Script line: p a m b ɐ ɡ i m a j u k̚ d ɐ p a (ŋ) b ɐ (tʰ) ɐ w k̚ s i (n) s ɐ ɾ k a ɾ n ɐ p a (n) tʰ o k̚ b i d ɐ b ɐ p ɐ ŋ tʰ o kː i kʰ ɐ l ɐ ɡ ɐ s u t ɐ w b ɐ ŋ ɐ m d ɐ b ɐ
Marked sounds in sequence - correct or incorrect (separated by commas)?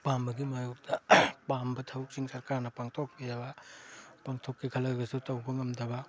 incorrect, correct, incorrect, incorrect